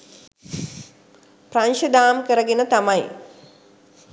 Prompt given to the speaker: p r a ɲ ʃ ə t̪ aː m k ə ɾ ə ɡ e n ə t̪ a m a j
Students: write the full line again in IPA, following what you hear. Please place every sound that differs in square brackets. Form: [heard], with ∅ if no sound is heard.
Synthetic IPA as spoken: p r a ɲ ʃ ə [d̪] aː m k ə ɾ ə ɡ e n ə t̪ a m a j